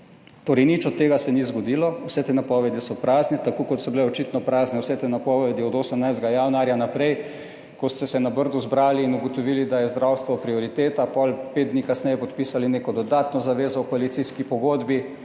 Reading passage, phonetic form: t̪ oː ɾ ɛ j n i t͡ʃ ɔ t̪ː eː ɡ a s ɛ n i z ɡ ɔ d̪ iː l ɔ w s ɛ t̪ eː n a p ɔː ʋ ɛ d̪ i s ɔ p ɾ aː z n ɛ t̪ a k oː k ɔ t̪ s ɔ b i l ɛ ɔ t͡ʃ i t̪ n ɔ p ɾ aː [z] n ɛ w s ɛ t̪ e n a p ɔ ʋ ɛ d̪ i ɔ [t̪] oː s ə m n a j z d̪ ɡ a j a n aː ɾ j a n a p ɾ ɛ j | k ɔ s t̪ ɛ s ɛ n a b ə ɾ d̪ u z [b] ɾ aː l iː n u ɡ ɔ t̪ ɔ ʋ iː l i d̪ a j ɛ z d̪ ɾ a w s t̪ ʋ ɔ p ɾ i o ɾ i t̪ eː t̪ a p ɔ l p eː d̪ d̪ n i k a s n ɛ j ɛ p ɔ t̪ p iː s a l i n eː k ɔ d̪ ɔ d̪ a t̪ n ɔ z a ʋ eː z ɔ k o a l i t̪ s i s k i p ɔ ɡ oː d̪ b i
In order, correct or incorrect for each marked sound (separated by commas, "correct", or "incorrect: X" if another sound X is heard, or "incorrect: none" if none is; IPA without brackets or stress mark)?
correct, incorrect: d̪, correct